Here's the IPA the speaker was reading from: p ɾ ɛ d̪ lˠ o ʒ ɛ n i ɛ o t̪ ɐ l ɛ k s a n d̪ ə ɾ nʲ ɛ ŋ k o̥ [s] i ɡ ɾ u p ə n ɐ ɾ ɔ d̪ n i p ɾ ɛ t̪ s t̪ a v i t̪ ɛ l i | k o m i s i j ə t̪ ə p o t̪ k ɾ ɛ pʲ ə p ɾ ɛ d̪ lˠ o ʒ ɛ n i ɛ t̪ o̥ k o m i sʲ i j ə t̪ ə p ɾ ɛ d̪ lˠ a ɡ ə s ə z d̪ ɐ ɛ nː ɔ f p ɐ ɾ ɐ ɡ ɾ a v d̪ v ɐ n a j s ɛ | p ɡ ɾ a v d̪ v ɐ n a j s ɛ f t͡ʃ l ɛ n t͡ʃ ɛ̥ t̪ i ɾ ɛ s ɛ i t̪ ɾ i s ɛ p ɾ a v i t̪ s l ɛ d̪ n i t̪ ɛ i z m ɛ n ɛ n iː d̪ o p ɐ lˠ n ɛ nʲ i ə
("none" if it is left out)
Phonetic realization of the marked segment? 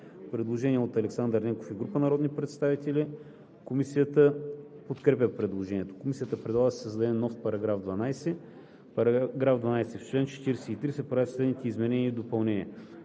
f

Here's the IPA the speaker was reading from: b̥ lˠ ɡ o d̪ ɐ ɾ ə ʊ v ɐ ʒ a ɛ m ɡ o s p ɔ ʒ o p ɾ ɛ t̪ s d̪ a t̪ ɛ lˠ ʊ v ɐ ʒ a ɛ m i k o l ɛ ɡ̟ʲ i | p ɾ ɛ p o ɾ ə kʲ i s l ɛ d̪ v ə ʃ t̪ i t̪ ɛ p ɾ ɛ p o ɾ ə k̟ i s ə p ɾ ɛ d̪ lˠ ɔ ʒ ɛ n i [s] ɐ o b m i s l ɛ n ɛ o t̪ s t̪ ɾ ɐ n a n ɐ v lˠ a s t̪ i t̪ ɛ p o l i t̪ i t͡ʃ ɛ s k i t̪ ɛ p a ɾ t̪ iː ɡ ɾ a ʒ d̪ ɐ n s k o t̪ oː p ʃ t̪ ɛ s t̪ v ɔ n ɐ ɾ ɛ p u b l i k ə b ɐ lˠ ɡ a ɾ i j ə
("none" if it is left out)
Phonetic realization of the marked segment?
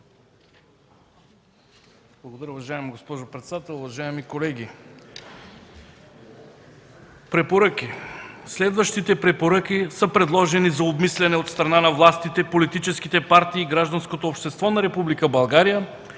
z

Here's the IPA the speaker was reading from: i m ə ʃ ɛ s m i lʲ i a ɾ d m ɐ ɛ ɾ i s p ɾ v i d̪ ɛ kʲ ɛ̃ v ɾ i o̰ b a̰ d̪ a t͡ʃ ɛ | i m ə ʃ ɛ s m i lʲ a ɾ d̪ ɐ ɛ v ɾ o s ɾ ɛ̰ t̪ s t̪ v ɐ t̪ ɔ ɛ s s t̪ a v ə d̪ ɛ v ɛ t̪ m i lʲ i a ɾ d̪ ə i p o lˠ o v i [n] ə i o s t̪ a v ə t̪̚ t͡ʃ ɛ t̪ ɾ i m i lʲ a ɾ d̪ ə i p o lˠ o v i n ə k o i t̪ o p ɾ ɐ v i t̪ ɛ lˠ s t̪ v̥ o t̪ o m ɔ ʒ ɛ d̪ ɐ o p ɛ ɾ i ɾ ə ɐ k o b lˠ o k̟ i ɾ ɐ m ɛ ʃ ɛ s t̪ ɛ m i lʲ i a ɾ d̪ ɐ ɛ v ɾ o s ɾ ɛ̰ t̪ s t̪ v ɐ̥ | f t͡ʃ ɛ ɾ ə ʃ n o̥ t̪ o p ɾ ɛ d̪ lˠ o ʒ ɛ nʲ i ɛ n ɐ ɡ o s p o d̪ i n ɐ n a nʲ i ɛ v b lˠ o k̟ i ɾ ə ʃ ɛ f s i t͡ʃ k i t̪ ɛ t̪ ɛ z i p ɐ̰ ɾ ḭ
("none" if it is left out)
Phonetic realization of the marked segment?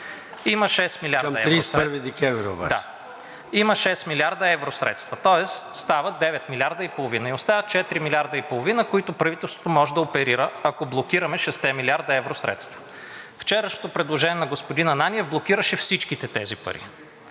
n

